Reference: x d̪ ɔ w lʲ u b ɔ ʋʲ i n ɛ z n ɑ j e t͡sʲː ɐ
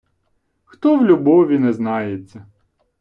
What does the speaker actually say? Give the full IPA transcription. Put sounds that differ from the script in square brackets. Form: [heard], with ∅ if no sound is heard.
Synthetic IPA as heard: x [t̪] ɔ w lʲ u b ɔ ʋʲ i n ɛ z n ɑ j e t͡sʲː ɐ